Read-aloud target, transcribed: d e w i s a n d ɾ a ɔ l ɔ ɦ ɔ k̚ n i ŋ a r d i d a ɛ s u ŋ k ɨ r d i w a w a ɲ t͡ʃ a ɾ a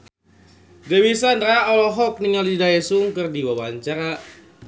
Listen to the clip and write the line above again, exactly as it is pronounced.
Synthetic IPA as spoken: d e w i s a n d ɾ a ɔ l ɔ ɦ ɔ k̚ n i ŋ a l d i d a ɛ s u ŋ k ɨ r d i w a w a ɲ t͡ʃ a ɾ a